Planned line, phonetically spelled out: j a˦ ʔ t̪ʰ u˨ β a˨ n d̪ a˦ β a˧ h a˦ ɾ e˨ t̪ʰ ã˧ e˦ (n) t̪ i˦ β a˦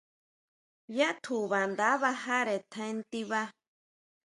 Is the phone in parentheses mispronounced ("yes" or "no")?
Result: no